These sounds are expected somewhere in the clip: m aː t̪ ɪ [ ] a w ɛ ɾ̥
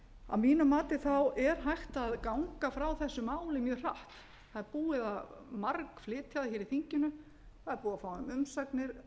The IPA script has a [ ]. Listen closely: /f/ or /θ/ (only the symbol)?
θ